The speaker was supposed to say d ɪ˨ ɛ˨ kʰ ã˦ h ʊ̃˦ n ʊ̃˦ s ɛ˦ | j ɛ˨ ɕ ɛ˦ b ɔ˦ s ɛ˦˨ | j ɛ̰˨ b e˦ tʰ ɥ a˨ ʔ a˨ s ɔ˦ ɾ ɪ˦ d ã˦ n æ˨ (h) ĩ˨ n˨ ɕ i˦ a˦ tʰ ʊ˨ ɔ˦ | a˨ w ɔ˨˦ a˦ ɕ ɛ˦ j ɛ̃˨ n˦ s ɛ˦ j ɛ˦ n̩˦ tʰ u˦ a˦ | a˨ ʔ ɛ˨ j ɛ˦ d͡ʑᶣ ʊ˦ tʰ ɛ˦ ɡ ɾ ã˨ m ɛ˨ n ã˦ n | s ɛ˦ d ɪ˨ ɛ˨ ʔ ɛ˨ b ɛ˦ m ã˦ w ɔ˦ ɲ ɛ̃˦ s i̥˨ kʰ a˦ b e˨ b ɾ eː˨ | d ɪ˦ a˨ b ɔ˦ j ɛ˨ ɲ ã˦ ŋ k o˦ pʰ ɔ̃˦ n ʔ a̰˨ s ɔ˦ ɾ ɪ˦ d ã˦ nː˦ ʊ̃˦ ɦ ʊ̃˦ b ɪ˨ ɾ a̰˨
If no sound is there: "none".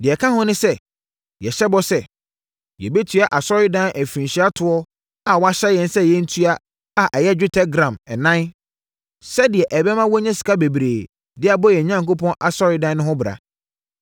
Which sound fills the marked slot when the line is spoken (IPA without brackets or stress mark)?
f